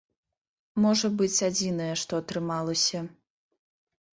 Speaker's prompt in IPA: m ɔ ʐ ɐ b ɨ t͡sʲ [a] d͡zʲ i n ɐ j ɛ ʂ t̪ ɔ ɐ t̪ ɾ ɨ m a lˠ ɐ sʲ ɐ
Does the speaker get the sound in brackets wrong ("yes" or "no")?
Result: no